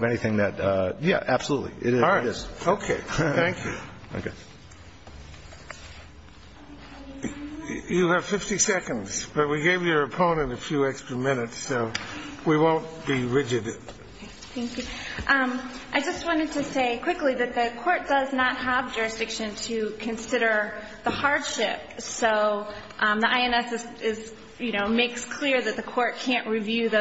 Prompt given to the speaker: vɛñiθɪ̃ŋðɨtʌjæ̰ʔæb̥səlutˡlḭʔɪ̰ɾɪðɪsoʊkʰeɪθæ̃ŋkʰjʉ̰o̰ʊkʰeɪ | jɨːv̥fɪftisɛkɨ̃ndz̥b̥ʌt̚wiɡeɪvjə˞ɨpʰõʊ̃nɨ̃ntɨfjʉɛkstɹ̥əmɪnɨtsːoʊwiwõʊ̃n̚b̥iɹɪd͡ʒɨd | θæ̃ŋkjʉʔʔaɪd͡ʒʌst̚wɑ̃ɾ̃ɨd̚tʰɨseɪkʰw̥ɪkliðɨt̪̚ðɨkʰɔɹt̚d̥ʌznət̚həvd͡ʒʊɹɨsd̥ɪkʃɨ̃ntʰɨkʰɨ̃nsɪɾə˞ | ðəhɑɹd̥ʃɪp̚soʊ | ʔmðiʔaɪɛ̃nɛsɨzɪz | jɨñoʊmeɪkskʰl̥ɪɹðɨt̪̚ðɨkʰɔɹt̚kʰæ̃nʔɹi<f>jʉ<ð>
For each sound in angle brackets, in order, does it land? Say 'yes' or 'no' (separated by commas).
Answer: no, yes